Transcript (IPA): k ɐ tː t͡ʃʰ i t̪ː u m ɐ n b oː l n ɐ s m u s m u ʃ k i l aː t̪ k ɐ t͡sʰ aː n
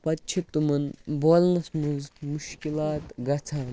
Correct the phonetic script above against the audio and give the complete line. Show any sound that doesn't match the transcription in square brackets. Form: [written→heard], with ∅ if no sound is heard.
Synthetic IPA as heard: [k→p] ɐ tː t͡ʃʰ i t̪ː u m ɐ n b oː l n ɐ s m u [s→z] m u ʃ k i l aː t̪ [k→ɡ] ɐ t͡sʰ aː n